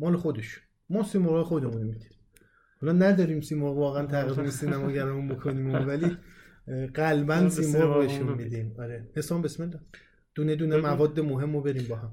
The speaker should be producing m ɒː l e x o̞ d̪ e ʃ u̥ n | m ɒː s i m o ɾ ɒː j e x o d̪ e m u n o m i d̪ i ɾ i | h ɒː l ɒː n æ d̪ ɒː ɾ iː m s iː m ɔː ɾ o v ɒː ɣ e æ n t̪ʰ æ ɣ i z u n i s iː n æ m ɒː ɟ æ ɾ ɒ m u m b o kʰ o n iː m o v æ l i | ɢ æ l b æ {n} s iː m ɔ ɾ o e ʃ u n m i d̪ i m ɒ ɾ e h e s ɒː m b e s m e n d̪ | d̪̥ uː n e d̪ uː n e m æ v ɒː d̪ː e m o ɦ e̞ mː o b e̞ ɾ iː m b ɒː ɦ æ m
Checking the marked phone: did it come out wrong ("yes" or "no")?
no